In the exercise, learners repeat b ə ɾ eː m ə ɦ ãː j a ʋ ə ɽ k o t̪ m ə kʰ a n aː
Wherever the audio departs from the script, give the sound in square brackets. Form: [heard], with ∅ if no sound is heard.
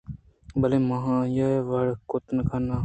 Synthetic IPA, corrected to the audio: b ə [l] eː m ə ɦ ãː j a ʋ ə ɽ k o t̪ [n] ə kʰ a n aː